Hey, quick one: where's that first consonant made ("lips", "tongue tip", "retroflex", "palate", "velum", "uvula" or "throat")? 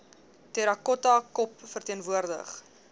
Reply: tongue tip